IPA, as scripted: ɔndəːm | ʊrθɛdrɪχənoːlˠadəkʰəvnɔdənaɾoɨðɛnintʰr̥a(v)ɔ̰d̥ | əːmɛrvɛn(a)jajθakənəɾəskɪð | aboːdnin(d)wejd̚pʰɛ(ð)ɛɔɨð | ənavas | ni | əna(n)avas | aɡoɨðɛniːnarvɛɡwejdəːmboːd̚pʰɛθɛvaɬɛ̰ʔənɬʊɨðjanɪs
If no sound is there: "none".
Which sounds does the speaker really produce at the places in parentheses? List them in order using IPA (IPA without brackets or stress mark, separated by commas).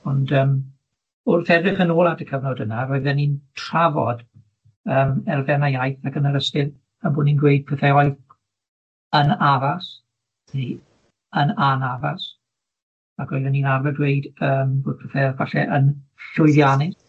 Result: v, a, ɡ, θ, n